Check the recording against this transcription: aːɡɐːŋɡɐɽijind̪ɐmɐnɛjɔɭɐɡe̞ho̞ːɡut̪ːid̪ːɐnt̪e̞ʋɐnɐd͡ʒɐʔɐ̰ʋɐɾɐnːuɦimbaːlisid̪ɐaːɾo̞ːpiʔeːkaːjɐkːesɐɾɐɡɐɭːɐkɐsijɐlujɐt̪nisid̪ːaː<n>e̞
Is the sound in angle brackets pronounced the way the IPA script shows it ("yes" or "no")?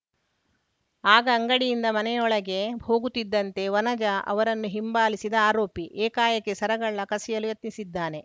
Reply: yes